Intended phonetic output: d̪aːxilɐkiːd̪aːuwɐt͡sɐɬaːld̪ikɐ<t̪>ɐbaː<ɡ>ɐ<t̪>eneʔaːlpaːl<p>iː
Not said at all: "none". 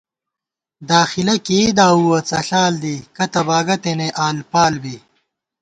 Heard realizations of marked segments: t̪, ɡ, t̪, b

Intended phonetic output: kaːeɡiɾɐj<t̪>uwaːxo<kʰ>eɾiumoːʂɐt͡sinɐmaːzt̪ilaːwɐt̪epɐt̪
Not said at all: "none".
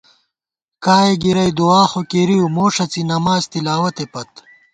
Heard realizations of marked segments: d̪, k

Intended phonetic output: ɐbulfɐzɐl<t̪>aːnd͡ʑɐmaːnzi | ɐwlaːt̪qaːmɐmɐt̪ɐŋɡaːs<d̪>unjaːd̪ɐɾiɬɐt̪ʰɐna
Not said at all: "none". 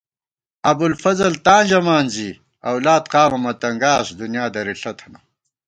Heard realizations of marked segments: t̪, d̪

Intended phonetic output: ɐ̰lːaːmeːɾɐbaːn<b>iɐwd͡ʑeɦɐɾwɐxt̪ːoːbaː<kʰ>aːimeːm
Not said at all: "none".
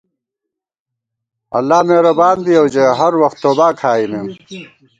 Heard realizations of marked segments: b, kʰ

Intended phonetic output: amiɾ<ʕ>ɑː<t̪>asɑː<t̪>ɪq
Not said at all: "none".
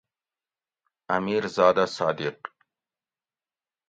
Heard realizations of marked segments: z, d̪, d̪

